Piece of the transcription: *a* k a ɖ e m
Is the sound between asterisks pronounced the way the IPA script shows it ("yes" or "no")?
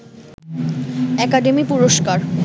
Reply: no